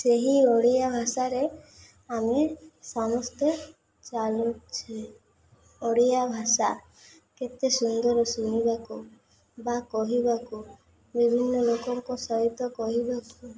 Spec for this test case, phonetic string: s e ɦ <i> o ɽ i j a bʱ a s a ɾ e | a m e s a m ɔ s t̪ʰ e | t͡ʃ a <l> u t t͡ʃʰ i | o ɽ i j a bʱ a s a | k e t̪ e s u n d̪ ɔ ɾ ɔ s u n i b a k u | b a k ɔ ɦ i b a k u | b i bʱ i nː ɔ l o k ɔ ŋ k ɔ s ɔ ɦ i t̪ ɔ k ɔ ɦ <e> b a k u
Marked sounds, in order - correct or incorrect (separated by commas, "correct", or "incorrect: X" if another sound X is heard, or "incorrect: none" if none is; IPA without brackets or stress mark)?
correct, correct, incorrect: i